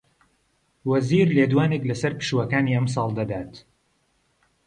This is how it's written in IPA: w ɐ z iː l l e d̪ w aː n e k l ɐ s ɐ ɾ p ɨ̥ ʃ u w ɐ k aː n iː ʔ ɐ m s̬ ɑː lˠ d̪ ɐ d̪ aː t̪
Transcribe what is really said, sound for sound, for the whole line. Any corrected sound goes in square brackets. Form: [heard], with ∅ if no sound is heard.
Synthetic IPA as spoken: w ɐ z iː [ɾ] l e d̪ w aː n e k l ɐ s ɐ ɾ p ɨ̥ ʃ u w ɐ k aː n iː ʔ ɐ m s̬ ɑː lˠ d̪ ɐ d̪ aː t̪